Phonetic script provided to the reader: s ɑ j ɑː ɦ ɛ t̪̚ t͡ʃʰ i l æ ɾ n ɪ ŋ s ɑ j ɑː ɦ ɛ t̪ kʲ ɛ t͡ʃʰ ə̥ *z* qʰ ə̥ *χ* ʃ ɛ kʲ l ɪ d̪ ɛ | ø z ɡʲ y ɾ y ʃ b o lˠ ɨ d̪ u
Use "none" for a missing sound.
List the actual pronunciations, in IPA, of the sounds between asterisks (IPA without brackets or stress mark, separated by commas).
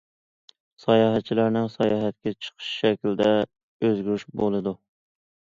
none, ʃ